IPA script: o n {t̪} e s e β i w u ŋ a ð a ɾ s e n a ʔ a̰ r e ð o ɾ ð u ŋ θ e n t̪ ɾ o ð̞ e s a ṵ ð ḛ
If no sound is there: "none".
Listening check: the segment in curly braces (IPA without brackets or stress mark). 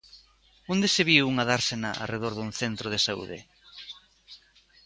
d̪